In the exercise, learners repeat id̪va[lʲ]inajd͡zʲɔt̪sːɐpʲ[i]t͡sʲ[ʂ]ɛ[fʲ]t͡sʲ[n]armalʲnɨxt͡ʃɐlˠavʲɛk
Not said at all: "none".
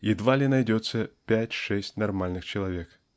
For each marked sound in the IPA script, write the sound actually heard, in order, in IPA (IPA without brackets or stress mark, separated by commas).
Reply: lʲ, a, ʂ, sʲ, n